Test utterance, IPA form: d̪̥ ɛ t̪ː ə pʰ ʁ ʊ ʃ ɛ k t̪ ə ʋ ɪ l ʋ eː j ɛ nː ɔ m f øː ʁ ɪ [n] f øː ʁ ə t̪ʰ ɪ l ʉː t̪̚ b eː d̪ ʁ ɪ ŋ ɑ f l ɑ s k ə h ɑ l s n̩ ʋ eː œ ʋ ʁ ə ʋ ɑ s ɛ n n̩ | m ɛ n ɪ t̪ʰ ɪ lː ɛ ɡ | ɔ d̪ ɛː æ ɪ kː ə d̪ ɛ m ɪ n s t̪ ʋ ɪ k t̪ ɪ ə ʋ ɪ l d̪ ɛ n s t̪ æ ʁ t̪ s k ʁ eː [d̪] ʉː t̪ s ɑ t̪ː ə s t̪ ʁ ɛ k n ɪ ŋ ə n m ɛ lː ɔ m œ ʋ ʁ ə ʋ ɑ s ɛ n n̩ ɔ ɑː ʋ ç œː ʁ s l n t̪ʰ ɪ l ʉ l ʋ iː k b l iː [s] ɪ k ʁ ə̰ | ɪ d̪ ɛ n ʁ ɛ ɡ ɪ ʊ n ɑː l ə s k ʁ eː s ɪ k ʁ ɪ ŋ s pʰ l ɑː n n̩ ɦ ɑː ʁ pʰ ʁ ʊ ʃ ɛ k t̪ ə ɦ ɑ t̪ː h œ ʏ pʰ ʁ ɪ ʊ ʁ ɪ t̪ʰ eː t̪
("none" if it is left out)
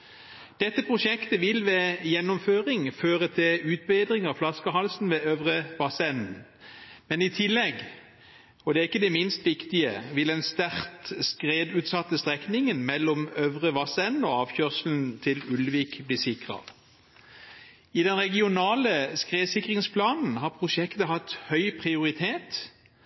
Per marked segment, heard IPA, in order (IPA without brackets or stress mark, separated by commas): ŋ, d̪, s